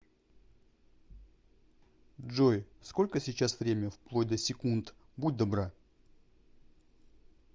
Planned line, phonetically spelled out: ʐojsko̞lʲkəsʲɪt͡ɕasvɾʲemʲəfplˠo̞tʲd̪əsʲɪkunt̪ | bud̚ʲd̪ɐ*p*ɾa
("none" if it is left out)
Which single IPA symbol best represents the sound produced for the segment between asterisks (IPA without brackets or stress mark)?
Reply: b